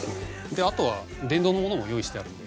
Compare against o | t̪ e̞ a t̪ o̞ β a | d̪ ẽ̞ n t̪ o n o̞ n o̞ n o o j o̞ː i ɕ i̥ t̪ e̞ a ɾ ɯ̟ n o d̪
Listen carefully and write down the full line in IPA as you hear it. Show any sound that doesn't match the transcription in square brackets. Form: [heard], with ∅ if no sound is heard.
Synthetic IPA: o | [d̪] e̞ a t̪ o̞ β a | d̪ ẽ̞ n [d̪] o n o̞ [m] o̞ n o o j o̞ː i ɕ i̥ t̪ e̞ a ɾ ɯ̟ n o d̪